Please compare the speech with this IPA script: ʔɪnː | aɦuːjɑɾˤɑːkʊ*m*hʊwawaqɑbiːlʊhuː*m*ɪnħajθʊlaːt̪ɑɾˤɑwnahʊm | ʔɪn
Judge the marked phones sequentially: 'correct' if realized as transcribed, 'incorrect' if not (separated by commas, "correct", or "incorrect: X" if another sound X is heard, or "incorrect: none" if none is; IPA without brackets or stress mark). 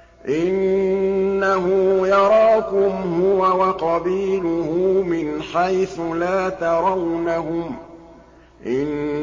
correct, correct